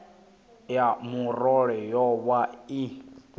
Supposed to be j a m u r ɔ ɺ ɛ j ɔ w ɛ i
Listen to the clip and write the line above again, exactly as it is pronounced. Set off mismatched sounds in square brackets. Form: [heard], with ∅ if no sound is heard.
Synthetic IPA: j a m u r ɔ ɺ ɛ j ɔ w [a] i